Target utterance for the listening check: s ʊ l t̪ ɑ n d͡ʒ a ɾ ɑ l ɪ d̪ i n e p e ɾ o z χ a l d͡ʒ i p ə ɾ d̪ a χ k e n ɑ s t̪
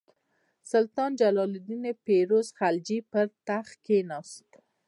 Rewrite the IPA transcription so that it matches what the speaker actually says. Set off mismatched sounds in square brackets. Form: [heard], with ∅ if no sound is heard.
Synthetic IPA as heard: s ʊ l t̪ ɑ n d͡ʒ a [l] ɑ l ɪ d̪ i n e p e ɾ o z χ a l d͡ʒ i p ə ɾ [t̪] a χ k e n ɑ s t̪